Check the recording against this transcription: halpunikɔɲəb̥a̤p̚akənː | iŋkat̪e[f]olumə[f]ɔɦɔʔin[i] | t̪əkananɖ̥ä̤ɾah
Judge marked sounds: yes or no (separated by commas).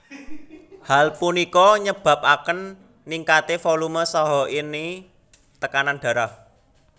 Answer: yes, no, yes